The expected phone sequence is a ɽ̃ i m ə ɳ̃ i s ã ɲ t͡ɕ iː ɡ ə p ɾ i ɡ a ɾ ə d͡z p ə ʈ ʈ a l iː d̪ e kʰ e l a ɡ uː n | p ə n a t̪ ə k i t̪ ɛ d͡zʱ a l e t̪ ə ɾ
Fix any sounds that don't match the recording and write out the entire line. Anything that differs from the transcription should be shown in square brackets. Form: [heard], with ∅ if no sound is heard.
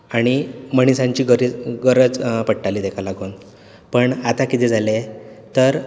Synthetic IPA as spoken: a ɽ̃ i m ə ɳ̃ i s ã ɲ t͡ɕ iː ɡ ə [∅] ɾ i ɡ [ə] ɾ ə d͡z p ə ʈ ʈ a l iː d̪ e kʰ [a] l a ɡ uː n | p ə [ɳ] a t̪ [a] k i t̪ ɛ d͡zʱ a l e t̪ ə ɾ